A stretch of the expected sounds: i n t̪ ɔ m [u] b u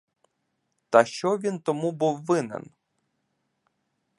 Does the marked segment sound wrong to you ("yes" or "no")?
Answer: no